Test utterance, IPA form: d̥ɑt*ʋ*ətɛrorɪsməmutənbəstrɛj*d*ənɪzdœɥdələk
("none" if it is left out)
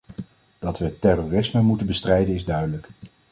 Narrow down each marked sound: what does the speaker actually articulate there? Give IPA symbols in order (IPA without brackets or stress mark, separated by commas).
ʋ, d